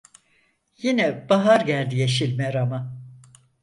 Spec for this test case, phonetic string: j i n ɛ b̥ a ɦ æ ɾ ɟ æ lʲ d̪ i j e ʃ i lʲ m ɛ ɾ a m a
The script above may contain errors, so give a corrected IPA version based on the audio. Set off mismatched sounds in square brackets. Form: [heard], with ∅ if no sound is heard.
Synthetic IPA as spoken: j i n ɛ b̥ a ɦ [a] ɾ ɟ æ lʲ d̪ i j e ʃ i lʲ m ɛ ɾ a m a